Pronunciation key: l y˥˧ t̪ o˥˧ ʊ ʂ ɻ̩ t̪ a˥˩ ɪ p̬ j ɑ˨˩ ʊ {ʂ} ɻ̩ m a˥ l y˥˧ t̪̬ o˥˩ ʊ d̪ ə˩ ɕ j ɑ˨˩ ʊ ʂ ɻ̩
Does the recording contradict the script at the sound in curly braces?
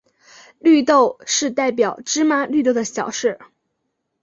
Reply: yes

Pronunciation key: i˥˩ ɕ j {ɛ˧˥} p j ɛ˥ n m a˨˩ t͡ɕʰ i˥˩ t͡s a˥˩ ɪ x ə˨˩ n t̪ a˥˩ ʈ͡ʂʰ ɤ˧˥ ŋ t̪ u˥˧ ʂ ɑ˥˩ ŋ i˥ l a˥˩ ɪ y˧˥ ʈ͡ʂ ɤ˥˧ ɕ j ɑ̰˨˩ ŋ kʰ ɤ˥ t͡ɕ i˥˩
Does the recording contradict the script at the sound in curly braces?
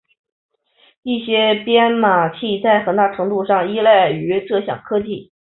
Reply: yes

